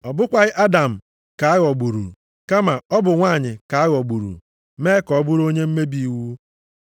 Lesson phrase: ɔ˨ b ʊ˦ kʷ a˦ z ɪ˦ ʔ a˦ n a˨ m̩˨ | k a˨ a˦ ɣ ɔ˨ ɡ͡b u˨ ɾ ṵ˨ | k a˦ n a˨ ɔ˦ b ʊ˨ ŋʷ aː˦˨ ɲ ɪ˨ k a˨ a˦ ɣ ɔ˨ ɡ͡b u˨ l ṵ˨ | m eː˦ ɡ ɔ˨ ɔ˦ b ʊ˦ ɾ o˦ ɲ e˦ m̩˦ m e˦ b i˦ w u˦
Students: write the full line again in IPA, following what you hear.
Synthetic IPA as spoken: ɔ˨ b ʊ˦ kʷ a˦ ɣ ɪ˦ ʔ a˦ d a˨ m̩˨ | k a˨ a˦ ɣ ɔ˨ ɡ͡b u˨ ɾ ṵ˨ | k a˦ m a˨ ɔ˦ b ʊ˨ ŋʷ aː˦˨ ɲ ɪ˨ k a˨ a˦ ɣ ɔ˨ ɡ͡b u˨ ɾ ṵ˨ | m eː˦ k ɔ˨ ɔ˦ b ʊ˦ ɾ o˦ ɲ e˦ m̩˦ m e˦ b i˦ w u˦